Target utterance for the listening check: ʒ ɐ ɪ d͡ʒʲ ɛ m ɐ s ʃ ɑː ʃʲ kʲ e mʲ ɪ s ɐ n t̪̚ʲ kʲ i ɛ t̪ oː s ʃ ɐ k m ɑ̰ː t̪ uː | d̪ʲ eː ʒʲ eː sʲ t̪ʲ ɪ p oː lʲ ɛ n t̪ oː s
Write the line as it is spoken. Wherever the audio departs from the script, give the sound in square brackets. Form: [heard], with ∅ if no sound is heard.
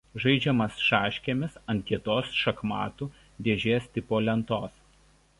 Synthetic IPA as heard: ʒ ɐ ɪ d͡ʒʲ ɛ m ɐ s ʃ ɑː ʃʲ kʲ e mʲ ɪ s ɐ n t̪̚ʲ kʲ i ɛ t̪ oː s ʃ ɐ k m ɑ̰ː t̪ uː | d̪ʲ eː ʒʲ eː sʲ t̪ʲ ɪ p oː lʲ ɛ n t̪ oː s